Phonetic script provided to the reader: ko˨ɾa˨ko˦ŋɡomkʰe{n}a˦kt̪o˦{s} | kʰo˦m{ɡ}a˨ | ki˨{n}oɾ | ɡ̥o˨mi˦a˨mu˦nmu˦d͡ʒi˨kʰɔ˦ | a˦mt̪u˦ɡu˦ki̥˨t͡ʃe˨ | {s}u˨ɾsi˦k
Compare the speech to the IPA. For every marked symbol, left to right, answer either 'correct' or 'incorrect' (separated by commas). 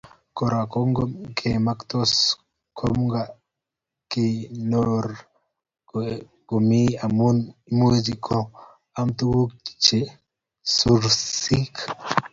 incorrect, correct, correct, correct, correct